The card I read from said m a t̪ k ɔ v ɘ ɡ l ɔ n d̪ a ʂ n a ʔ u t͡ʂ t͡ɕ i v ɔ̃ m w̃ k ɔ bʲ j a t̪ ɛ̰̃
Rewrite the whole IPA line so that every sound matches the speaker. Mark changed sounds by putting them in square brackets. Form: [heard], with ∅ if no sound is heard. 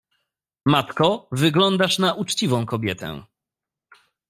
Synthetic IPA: m a t̪ k ɔ v ɘ ɡ l ɔ n d̪ a ʂ n a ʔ u t͡ʂ t͡ɕ i v ɔ̃ [∅] w̃ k ɔ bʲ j [ɛ] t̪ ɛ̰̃